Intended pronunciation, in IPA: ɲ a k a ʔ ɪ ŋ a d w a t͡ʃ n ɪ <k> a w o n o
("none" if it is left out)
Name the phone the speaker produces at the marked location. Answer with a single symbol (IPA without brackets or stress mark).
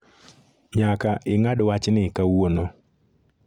k